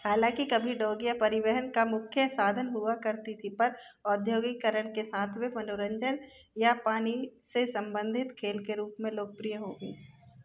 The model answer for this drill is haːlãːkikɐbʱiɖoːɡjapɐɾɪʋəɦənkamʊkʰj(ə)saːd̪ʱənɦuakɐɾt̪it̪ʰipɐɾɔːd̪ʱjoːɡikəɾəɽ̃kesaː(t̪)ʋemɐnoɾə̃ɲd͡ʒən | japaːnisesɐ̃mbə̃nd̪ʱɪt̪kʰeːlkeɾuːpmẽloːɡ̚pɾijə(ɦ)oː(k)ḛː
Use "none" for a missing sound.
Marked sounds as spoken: ə, t̪ʰ, ɦ, ɡ

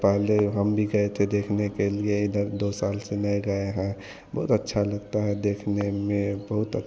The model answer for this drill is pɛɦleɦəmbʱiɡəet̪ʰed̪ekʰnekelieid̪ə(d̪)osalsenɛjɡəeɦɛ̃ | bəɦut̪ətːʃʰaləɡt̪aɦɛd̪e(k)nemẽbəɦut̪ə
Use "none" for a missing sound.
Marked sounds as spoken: d̪, kʰ

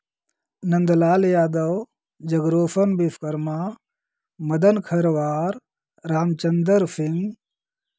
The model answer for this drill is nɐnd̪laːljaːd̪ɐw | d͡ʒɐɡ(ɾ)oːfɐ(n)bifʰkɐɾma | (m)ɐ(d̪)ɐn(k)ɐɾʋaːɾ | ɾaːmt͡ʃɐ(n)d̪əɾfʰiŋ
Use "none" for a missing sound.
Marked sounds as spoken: ɾ, n, m, d̪, kʰ, n

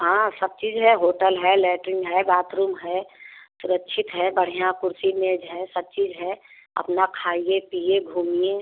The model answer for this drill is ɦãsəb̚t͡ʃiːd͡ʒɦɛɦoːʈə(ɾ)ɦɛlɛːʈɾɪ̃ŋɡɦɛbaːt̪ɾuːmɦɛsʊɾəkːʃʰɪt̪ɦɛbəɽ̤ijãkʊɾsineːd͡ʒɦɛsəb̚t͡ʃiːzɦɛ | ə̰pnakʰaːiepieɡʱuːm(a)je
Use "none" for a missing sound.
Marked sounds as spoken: l, i

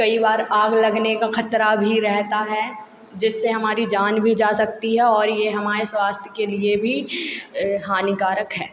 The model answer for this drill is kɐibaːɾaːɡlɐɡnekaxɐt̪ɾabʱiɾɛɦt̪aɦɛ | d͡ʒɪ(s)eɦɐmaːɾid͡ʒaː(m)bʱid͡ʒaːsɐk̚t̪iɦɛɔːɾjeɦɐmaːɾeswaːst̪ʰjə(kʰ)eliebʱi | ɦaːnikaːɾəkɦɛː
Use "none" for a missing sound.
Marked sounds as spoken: sː, n, k

